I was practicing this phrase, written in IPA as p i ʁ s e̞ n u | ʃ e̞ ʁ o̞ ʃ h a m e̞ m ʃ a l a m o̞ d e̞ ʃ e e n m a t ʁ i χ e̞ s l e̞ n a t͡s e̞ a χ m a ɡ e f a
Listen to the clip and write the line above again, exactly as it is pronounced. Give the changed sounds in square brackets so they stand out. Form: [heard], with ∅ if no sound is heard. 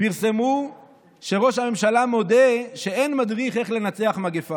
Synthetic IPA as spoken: p i ʁ s e̞ [m] u | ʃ e̞ ʁ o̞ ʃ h a m e̞ m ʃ a l a m o̞ d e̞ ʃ e e n m a [d] ʁ i χ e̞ [χ] l e̞ n a t͡s e̞ a χ m a ɡ e f a